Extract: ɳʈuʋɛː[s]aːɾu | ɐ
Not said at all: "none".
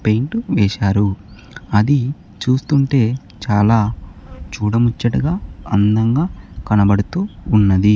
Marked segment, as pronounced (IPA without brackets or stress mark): ʃ